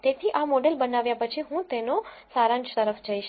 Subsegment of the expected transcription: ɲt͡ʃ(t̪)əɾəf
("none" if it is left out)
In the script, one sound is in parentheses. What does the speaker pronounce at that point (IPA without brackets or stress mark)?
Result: t̪